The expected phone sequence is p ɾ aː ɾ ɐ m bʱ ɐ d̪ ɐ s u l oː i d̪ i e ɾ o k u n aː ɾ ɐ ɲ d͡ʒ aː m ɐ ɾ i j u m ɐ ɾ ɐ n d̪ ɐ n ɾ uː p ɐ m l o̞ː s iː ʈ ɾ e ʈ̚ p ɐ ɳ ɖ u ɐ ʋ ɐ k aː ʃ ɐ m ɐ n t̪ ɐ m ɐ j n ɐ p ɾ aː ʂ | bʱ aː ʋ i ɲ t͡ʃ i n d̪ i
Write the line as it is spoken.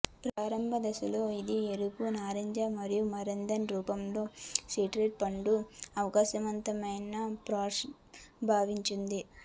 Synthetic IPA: p ɾ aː ɾ ɐ m bʱ ɐ d̪ ɐ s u l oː i d̪ i e ɾ u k u n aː ɾ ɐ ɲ d͡ʒ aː m ɐ ɾ i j u m ɐ ɾ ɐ n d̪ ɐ n ɾ uː p ɐ m l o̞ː s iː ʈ ɾ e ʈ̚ p ɐ ɳ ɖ u ɐ ʋ ɐ k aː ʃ ɐ m ɐ n t̪ ɐ m ɐ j n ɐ p ɾ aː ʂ | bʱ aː ʋ i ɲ t͡ʃ i n d̪ i